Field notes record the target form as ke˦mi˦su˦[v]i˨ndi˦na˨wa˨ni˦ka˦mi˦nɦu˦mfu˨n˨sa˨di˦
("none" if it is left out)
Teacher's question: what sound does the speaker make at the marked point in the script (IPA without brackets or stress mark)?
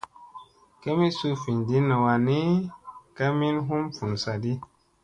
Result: f